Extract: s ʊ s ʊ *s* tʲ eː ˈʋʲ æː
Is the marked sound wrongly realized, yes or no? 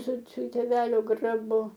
yes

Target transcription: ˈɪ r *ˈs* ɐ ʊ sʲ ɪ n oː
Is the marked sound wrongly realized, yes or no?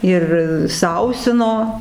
no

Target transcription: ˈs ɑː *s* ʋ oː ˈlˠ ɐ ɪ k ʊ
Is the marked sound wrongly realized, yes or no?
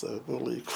yes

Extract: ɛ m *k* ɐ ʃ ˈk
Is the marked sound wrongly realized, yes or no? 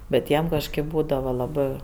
no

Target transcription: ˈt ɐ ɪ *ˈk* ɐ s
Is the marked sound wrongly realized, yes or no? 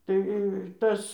yes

